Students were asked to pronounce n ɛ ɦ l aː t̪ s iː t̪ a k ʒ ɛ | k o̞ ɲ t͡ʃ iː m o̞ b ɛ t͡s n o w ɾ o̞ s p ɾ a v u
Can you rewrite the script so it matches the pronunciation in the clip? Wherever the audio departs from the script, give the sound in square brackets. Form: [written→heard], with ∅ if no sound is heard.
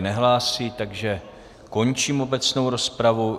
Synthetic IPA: n ɛ ɦ l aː [t̪→∅] s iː t̪ a [k→ɡ] ʒ ɛ | k o̞ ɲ t͡ʃ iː m o̞ b ɛ t͡s n o w ɾ o̞ s p ɾ a v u